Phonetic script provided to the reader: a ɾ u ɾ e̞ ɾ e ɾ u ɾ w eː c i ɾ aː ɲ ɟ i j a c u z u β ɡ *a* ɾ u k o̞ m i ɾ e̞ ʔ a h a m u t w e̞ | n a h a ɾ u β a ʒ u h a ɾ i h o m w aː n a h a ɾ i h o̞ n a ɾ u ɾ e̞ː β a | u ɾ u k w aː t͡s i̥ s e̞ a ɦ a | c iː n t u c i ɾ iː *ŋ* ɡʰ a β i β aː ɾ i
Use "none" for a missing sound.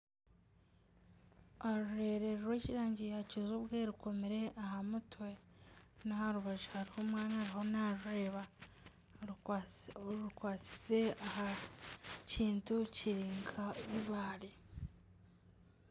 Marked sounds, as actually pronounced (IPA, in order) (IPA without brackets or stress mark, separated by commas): e, ŋ